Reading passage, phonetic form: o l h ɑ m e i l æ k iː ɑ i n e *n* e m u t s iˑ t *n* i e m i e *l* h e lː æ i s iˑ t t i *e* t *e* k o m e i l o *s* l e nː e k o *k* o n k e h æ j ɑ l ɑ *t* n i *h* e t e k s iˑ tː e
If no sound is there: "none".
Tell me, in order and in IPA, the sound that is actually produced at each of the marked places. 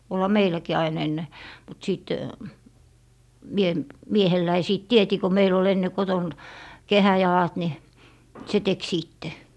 nː, m, none, e, i, none, t, t, s

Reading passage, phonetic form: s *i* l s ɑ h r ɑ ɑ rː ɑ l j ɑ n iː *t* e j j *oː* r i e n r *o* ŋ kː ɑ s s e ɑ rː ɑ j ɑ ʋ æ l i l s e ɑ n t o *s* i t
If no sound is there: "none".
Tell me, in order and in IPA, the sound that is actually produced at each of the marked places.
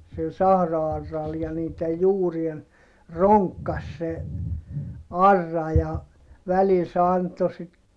i, t, uː, o, s

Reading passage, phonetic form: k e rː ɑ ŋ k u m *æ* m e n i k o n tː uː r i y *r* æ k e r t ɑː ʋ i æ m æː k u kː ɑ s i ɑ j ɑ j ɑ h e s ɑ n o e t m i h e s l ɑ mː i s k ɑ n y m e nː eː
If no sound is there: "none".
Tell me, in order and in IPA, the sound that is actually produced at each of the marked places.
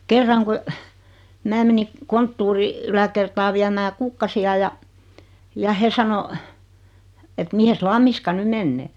æː, l

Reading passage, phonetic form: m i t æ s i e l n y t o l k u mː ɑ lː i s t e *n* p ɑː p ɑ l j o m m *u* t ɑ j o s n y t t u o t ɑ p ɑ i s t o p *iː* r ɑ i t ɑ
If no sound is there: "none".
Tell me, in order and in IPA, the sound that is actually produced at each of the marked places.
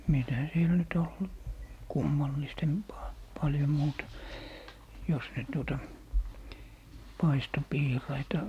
m, uː, iː

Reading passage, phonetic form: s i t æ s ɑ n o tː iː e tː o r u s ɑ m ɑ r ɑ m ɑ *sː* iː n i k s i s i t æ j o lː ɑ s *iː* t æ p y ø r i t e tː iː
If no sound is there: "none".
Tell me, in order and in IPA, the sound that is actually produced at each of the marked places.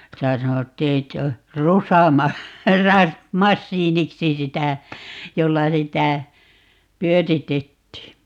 sː, i

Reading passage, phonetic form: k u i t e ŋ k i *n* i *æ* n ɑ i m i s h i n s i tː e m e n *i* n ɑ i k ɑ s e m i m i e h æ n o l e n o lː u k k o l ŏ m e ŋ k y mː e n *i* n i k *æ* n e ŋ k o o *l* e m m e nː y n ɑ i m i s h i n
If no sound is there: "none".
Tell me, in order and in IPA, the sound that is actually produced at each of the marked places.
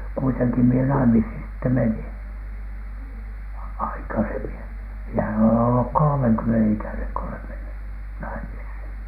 m, e, i, e, æ, l

